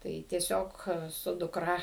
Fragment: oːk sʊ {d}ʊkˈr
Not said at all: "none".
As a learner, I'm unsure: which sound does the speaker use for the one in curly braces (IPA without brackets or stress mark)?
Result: d